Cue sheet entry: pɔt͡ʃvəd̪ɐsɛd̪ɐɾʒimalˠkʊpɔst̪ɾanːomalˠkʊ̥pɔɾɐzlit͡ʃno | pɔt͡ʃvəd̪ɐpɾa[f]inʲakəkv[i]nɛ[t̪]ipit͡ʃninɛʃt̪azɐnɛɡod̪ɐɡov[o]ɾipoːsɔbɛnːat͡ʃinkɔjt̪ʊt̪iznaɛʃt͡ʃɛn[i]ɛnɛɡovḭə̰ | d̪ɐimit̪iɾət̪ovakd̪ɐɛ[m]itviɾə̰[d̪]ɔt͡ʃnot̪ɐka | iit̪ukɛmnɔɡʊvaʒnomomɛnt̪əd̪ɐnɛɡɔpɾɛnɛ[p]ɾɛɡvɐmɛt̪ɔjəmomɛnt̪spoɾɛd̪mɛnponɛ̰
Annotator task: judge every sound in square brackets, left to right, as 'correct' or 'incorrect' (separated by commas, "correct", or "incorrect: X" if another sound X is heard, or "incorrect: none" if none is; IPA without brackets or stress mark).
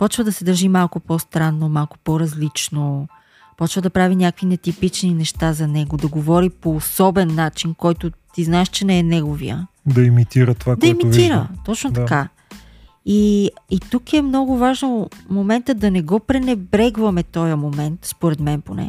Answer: incorrect: v, correct, correct, incorrect: ɔ, incorrect: ɛ, correct, incorrect: t̪, incorrect: b